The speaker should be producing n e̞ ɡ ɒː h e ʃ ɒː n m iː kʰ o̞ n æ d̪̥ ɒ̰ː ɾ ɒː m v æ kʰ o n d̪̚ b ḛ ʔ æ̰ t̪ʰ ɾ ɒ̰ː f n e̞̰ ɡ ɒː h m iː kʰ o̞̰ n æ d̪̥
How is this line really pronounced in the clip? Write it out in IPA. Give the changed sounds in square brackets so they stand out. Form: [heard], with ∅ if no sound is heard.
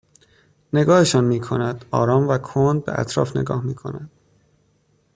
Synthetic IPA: n e̞ ɡ ɒː h e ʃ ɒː n m iː kʰ o̞ n æ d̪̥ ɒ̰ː ɾ ɒː m v æ kʰ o n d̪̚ b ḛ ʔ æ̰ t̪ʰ ɾ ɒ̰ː f n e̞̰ ɡ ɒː h m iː kʰ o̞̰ n æ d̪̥